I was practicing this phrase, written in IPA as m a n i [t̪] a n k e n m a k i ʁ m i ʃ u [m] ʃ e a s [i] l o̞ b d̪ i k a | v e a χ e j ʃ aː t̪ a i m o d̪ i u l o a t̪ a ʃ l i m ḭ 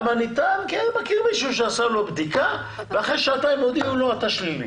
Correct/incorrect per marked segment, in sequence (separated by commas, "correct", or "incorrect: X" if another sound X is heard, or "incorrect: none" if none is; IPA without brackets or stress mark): correct, incorrect: none, incorrect: a